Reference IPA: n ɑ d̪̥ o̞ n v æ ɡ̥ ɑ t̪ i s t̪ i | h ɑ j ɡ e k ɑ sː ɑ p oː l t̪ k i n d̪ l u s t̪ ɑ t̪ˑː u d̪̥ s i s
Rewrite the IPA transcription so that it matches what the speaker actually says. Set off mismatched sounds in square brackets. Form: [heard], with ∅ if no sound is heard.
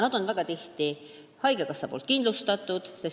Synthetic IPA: n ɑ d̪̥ o̞ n v æ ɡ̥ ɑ t̪ i [h] t̪ i | h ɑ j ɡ e k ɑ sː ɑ p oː l t̪ k i n d̪ l u s t̪ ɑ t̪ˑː u d̪̥ s [e] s